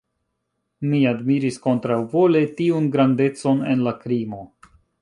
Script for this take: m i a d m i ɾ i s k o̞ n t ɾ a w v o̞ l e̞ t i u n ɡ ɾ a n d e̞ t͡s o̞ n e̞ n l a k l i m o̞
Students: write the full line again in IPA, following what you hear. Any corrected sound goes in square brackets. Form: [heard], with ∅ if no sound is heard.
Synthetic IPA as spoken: m i a d m i ɾ i s k o̞ n t ɾ a w v o̞ l e̞ t i u n ɡ ɾ a n d e̞ t͡s o̞ n e̞ n l a k [ɾ] i m o̞